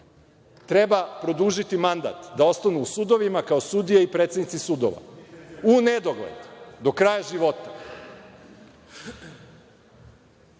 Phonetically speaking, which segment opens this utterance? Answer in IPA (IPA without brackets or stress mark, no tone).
t̪